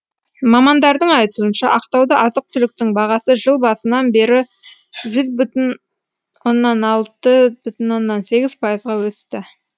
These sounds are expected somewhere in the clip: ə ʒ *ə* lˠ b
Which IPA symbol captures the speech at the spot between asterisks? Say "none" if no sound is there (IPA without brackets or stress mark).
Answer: ə